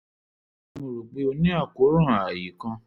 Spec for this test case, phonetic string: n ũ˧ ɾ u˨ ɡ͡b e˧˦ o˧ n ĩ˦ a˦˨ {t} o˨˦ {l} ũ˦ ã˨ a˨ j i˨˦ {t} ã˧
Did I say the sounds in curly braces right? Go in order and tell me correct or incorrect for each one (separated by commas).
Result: incorrect, incorrect, incorrect